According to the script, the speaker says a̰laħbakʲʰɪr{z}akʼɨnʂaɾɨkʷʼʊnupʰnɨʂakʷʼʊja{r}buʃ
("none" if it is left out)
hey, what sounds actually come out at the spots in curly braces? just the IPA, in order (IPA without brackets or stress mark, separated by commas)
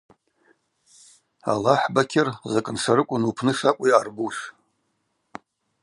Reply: z, r